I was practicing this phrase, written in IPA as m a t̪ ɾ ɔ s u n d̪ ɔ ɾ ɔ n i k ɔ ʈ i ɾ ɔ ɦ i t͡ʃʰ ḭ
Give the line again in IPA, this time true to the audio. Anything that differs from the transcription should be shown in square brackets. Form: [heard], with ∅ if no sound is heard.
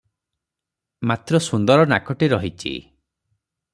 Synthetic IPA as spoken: m a t̪ ɾ ɔ s u n d̪ ɔ ɾ ɔ n [a] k ɔ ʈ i ɾ ɔ ɦ i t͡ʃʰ ḭ